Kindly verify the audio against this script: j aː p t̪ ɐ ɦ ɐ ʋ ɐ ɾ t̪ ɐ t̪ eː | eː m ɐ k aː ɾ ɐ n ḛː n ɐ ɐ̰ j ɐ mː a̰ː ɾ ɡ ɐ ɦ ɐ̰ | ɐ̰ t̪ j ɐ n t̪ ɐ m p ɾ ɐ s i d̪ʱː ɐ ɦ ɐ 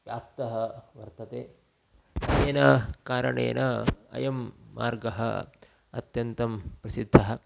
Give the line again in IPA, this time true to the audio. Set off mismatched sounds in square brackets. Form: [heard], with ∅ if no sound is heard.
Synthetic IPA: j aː p t̪ ɐ ɦ ɐ ʋ ɐ ɾ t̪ ɐ t̪ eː | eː [n] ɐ k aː ɾ ɐ [ɳ] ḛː n ɐ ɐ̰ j ɐ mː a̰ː ɾ ɡ ɐ ɦ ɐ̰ | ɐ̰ t̪ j ɐ n t̪ ɐ m p ɾ ɐ s i d̪ʱː ɐ ɦ ɐ